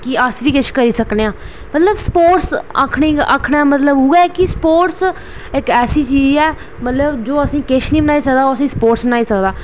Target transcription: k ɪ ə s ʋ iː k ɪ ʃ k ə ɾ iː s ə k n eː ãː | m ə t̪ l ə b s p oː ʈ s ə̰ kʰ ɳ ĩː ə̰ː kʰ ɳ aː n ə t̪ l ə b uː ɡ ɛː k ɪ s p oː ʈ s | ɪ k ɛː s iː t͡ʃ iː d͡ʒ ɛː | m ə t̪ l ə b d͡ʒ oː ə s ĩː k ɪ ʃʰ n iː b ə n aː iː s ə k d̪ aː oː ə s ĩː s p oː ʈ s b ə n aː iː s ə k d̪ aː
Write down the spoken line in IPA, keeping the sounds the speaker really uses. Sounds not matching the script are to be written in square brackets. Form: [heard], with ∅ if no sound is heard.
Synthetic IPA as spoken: k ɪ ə s ʋ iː k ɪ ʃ k ə ɾ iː s ə k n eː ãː | m ə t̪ l ə b s p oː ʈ s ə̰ kʰ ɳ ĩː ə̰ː kʰ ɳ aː [m] ə t̪ l ə b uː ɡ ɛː k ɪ s p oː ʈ s | ɪ k ɛː s iː t͡ʃ iː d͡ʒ ɛː | m ə t̪ l ə b d͡ʒ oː ə s ĩː k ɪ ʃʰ n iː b ə n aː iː s ə k d̪ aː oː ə s ĩː s p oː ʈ s b ə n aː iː s ə k d̪ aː